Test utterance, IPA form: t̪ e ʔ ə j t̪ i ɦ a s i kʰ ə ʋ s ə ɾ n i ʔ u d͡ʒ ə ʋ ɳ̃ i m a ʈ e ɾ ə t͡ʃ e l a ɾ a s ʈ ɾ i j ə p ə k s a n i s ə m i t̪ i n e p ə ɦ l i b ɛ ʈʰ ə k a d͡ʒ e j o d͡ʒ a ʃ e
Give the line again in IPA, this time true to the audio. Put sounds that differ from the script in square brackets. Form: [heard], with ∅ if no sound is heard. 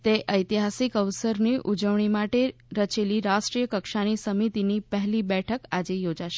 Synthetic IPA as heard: t̪ e ʔ ə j t̪ i ɦ a s i [k] ə ʋ s ə ɾ n i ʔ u d͡ʒ ə ʋ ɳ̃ i m a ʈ e ɾ ə t͡ʃ e l [i] ɾ a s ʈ ɾ i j ə [k] ə k [ʃ] a n i s ə m i t̪ i n [i] p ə ɦ l i b ɛ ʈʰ ə k a d͡ʒ e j o d͡ʒ a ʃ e